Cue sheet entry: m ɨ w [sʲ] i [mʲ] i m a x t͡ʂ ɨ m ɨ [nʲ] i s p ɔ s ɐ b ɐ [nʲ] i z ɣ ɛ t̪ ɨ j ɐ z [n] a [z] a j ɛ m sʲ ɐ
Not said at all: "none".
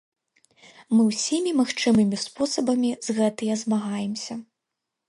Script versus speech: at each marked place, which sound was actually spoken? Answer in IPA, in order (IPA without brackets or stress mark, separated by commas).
sʲ, mʲ, mʲ, mʲ, m, ɣ